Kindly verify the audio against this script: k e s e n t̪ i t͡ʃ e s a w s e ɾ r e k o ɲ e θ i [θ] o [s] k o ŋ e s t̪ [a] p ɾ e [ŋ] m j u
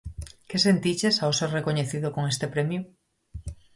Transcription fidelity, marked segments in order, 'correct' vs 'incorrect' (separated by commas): incorrect, incorrect, incorrect, incorrect